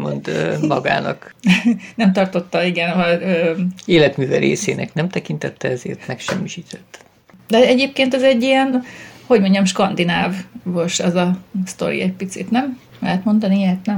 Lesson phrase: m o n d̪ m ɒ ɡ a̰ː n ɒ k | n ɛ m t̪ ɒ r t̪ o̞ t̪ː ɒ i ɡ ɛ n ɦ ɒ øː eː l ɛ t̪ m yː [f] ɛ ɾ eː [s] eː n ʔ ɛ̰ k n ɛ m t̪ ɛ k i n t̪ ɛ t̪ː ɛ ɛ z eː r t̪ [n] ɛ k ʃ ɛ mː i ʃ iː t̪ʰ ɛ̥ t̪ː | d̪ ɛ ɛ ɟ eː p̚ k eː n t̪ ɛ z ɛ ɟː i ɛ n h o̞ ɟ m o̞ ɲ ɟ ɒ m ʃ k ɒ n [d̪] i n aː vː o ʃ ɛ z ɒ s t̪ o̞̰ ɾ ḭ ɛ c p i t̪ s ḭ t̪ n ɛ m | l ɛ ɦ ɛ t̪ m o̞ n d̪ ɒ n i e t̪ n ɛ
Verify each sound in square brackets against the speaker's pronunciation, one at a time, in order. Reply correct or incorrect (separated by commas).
incorrect, correct, incorrect, correct